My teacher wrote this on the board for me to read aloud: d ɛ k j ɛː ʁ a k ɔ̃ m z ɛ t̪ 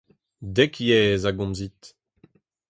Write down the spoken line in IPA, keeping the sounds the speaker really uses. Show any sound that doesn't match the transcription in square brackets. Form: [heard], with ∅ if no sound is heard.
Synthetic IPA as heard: d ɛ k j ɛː [z] a [ɡ] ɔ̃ m z [i] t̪

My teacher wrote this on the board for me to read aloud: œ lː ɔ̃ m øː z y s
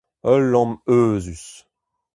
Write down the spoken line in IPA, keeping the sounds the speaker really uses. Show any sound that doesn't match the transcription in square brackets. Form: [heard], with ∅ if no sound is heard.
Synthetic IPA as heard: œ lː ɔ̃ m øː z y s

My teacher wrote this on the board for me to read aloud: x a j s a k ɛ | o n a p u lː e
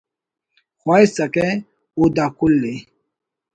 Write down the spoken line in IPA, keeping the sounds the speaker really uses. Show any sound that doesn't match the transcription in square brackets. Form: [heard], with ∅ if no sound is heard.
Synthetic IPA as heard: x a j s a k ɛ | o [d] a [k] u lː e

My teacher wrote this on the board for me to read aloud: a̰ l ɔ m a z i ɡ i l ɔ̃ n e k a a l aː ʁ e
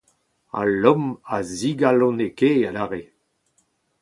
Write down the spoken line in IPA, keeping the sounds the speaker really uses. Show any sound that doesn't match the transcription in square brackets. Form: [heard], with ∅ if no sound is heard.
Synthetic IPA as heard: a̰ l ɔ m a z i ɡ [a] l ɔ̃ n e k [e] a l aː ʁ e

